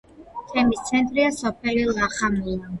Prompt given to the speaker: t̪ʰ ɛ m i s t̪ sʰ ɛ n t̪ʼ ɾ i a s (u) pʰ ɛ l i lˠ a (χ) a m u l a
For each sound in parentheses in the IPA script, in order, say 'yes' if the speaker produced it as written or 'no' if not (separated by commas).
no, yes